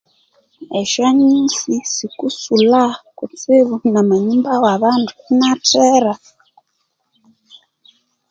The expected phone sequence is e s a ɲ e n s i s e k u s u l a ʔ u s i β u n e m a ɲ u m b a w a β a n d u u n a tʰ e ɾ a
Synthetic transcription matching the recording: e ʃ a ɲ i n s i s i k u s u l a k u t͡s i β u n a m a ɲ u m b a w a β a n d u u n a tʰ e ɾ a

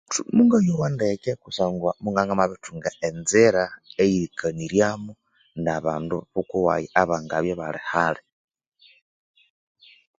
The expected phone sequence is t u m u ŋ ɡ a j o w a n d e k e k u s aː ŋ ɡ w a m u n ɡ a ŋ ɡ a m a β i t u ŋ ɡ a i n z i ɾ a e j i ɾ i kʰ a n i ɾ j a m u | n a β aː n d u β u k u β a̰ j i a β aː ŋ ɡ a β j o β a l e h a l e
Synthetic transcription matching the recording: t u m u ŋ ɡ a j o w a n d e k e k u s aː ŋ ɡ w a m u ŋ ɡ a ŋ ɡ a m a β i t u ŋ ɡ a e n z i ɾ a e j i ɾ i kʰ a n i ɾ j a m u | n a β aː n d u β u k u w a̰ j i a β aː ŋ ɡ a β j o β a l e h a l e

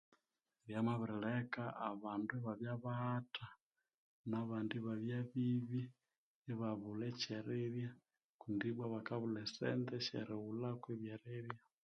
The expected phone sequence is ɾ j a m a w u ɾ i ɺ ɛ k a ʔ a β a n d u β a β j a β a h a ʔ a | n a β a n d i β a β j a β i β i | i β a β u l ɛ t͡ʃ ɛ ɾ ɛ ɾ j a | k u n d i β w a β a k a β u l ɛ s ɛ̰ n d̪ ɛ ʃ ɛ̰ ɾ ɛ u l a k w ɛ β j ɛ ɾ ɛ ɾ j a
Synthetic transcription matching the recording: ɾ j a m a β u ɾ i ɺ ɛ k a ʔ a β a n d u β a β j a β a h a t a | n a β a n d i β a β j a β i β i | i β a β u l ɛ t͡ʃ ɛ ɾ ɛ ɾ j a | k u n d i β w a β a k a β u l ɛ s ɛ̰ n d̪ ɛ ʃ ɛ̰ ɾ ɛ u l a k w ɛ β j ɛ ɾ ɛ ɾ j a

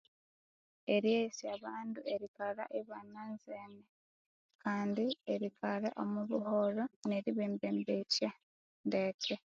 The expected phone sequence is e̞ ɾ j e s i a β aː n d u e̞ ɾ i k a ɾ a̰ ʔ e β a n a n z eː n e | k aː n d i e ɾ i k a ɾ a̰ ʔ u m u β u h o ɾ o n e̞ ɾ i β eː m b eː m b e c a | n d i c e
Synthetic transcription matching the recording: e̞ ɾ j e s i a β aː n d u e̞ ɾ i k a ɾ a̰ ʔ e β a n a n z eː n e | k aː n d i e ɾ i k a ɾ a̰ ʔ o m u β u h o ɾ o n e̞ ɾ i β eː m b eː m b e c a | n d e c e

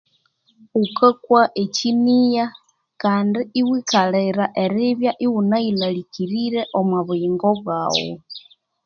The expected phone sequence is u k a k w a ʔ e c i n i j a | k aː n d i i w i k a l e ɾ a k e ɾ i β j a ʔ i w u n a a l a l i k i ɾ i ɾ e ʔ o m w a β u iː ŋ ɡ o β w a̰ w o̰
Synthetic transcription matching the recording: u k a k w a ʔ e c i n i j a | k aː n d i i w i k a l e ɾ a ʔ e ɾ i β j a ʔ i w u n a i l a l i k i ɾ i ɾ e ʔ o m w a β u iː ŋ ɡ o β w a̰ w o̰

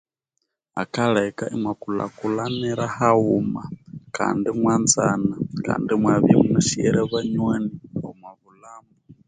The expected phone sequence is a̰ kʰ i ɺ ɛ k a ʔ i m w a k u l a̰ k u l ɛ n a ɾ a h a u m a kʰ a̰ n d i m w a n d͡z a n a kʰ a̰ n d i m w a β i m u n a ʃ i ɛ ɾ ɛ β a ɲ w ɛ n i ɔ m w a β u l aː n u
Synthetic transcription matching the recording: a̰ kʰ a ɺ ɛ k a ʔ i m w a k u l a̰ k u l a n ɛ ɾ a h a u m a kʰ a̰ n d i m w a n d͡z a n a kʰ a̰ n d i m w a β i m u n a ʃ i ɛ ɾ ɛ β a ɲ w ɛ n i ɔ m w a β u l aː m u

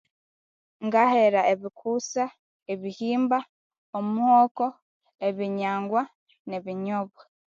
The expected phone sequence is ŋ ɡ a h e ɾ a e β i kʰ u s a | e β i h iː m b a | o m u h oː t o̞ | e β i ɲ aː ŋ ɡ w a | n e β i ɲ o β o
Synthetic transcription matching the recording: ŋ ɡ a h e ɾ a e β i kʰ u s a | e β i h iː m b a | o m u h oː k o̞ | e β i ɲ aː ŋ ɡ w a | n e β i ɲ o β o

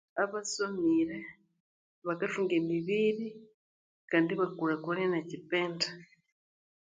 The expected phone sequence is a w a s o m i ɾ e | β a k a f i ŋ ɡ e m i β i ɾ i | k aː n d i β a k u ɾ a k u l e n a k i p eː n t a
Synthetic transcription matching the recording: a β a s o m i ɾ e | β a k a f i ŋ ɡ e m i β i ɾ i | k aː n d i β a k u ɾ a k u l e n a c i p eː n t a

